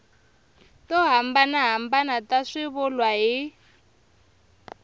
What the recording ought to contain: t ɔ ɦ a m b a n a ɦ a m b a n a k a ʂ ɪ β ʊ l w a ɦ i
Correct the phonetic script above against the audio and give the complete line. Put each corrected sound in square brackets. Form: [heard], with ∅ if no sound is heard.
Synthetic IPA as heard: t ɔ ɦ a m b a n a ɦ a m b a n a [t] a ʂ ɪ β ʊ l w a ɦ i